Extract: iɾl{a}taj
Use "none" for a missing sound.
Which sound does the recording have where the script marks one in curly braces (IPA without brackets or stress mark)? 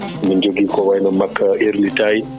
i